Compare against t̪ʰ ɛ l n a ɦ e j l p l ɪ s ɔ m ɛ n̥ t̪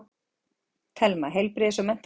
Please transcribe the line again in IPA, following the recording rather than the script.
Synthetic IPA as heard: t̪ʰ ɛ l m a ɦ e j l p ɾ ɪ s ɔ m ɛ n̥ t̪